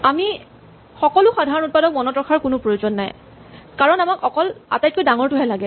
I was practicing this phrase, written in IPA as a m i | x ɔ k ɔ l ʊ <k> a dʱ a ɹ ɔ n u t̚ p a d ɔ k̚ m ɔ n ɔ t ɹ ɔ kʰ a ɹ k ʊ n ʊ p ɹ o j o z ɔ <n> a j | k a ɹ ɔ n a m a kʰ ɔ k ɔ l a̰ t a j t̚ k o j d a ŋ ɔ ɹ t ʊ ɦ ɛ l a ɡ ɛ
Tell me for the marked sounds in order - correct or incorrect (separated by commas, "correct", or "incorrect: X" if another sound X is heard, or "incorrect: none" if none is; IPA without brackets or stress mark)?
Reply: incorrect: x, incorrect: nː